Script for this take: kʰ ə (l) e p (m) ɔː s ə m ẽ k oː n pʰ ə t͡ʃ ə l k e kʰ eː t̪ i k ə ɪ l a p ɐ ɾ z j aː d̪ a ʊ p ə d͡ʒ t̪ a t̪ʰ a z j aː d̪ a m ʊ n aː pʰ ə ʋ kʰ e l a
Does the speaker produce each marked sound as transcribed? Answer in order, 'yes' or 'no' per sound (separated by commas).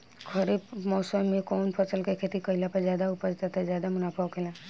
no, yes